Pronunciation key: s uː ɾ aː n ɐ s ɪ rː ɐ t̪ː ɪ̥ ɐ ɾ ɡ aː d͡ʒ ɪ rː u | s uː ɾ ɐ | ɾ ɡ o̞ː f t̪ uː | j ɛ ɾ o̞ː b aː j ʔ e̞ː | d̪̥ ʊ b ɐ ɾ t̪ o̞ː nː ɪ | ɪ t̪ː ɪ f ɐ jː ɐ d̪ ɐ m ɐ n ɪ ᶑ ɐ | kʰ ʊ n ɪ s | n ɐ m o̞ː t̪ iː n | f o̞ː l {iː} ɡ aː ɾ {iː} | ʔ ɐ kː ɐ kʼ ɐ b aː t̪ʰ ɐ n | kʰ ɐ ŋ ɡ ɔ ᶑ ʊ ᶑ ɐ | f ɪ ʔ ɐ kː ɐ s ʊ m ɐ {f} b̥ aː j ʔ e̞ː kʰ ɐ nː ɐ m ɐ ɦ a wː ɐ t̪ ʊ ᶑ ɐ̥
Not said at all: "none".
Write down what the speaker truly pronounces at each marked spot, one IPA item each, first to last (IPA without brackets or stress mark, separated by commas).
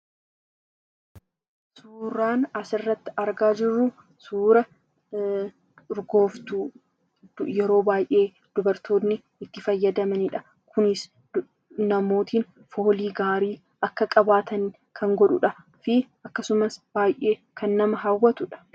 iː, iː, s